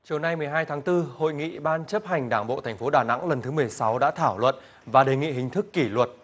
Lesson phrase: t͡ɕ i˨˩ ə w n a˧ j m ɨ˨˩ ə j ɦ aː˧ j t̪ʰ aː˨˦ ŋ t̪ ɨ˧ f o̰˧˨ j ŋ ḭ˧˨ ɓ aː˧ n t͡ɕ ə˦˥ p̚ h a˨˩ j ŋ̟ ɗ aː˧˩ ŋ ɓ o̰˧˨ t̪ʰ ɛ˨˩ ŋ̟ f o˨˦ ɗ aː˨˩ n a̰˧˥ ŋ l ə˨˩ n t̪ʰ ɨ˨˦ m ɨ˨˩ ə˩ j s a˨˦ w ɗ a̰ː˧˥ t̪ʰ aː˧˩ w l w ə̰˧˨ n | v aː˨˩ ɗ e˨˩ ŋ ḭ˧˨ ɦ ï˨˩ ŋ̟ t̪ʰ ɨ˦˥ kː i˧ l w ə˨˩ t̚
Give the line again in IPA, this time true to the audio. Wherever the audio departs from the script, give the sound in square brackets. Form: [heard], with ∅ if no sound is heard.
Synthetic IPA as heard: t͡ɕ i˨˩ ə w n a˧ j m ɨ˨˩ ə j ɦ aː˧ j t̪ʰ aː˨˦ ŋ t̪ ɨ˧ [h] o̰˧˨ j ŋ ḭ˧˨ ɓ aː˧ n t͡ɕ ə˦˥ p̚ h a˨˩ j ŋ̟ ɗ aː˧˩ ŋ ɓ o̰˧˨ t̪ʰ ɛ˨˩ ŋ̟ f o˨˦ ɗ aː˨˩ n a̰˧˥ ŋ l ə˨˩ n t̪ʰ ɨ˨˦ m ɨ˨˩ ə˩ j s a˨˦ w ɗ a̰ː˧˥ t̪ʰ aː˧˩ w l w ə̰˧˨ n | v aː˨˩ ɗ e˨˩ ŋ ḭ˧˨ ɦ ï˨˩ ŋ̟ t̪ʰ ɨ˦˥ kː [i˧˩] l w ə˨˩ t̚